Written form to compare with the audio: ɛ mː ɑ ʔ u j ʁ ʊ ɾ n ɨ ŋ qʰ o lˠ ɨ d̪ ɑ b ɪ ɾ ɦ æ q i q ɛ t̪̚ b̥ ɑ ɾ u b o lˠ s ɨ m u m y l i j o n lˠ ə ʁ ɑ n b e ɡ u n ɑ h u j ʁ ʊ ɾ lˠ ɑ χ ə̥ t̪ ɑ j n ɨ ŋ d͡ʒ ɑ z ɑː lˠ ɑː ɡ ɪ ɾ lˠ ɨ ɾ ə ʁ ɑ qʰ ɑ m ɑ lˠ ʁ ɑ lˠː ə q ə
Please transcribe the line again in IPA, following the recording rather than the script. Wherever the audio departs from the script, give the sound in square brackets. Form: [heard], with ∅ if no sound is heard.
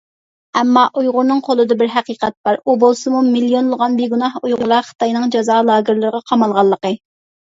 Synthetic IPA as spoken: ɛ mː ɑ ʔ u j ʁ ʊ ɾ n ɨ ŋ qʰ o lˠ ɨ d̪ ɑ b ɪ ɾ ɦ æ q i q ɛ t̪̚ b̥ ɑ ɾ u b o lˠ s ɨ m u m [i] l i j o n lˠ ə ʁ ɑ n b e ɡ u n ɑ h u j ʁ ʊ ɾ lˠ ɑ χ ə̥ t̪ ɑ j n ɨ ŋ d͡ʒ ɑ z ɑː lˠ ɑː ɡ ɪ ɾ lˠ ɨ ɾ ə ʁ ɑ qʰ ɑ m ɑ lˠ ʁ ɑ lˠː ə q ə

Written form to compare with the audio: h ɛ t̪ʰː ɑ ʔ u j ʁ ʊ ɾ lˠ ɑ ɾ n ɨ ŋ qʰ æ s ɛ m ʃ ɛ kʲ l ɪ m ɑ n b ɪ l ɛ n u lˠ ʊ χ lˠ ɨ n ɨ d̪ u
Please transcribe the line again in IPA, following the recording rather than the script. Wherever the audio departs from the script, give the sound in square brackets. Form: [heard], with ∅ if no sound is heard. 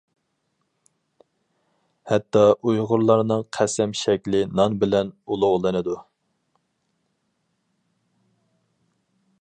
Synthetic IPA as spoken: h ɛ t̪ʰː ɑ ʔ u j ʁ ʊ ɾ lˠ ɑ ɾ n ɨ ŋ qʰ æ s ɛ m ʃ ɛ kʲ l ɪ [n] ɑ n b ɪ l ɛ n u lˠ ʊ [ʁ] lˠ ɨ n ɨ d̪ u

